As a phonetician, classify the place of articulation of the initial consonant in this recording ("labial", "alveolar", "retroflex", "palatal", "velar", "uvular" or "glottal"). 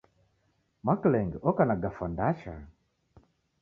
labial